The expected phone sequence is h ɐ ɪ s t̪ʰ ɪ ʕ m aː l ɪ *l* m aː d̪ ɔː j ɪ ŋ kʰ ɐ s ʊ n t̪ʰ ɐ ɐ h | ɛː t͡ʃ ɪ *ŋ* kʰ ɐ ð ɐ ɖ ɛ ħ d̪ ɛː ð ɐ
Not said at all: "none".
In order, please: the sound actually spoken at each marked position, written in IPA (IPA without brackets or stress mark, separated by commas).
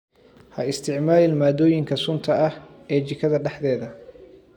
l, none